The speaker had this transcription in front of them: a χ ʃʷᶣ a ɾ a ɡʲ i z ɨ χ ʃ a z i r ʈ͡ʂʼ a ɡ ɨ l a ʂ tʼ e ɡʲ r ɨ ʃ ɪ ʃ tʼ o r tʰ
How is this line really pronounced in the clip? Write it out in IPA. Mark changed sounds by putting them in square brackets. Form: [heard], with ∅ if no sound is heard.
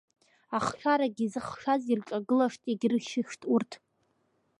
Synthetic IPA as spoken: a χ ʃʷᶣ a ɾ a ɡʲ i z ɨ χ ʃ a z i r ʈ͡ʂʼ a ɡ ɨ l a ʂ tʼ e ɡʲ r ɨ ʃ ɪ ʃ tʼ [u] r tʰ